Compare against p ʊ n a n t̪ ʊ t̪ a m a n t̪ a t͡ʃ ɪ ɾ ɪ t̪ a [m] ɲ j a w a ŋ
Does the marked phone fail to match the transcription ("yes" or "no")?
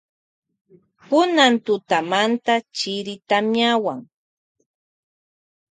no